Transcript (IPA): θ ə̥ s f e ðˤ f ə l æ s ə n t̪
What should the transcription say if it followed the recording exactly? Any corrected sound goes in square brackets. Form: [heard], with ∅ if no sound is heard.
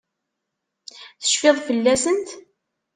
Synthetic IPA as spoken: θ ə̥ [ʃ] f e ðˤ f ə [lː] æ s ə n t̪